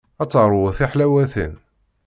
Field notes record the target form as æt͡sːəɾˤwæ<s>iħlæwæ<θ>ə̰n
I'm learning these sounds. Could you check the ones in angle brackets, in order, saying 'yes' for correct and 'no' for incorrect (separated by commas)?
no, yes